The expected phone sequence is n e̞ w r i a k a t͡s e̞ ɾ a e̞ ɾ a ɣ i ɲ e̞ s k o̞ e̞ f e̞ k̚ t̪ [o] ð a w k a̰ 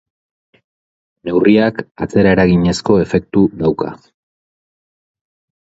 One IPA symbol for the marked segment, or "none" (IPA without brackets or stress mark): u